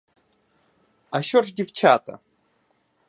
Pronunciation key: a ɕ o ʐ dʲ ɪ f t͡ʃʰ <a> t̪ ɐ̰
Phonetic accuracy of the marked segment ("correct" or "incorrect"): correct